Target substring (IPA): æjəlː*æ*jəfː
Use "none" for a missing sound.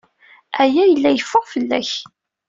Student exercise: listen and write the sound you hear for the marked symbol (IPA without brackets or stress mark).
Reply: æ